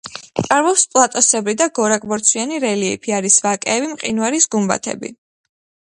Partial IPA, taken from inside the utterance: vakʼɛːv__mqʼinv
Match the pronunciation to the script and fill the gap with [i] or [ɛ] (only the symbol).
i